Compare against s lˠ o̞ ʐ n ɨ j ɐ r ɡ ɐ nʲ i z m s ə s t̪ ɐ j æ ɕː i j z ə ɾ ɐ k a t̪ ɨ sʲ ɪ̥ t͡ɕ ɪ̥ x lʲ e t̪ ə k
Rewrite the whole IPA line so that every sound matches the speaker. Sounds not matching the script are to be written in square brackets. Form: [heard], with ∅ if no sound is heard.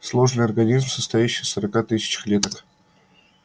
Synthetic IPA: s lˠ o̞ ʐ n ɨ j ɐ r ɡ ɐ nʲ i z m s ə s t̪ ɐ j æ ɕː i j [s] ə ɾ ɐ k a t̪ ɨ sʲ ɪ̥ t͡ɕ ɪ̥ x lʲ e t̪ ə k